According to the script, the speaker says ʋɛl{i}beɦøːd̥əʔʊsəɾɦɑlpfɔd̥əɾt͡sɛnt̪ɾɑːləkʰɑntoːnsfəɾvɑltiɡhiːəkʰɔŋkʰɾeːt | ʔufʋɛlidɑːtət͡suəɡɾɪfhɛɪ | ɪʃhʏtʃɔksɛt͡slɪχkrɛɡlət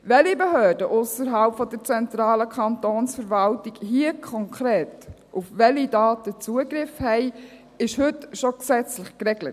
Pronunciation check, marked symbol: correct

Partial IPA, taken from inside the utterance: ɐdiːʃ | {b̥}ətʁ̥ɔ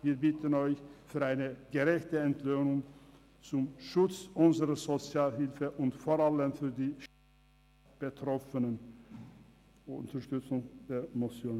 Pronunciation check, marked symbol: correct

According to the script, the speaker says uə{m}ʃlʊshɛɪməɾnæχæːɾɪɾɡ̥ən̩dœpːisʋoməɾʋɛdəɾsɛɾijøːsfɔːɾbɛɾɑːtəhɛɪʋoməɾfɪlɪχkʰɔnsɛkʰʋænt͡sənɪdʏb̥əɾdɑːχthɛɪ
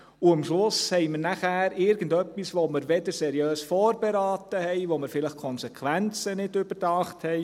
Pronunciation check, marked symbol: correct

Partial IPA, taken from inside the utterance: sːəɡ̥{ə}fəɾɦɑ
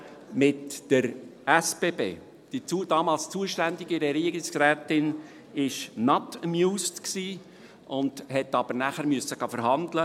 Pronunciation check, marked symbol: incorrect: ɑ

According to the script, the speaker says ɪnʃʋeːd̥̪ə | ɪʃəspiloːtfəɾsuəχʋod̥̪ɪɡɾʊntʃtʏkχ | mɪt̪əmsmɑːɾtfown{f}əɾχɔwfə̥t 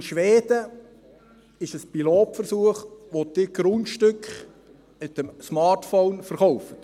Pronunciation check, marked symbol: correct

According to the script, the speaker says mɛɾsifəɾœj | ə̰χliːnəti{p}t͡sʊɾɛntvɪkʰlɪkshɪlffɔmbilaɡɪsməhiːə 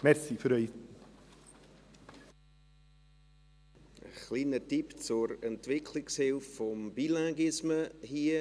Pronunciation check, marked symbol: correct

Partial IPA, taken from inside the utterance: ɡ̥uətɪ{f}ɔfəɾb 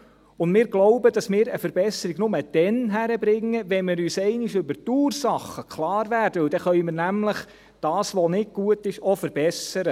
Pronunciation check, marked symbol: incorrect: ʃ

